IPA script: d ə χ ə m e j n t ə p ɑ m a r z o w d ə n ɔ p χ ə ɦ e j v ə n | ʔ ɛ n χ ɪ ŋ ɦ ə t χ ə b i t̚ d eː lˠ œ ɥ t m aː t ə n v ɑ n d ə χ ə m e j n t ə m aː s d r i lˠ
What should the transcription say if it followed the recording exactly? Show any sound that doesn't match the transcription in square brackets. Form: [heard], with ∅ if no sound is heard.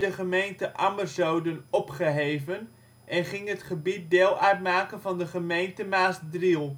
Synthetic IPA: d ə χ ə m e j n t ə [ʔ] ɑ m [ə] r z o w d ə n ɔ p χ ə ɦ e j v ə n | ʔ ɛ n χ ɪ ŋ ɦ ə t χ ə b i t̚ d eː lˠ œ ɥ t m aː [k] ə n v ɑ n d ə χ ə m e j n t ə m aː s d r i lˠ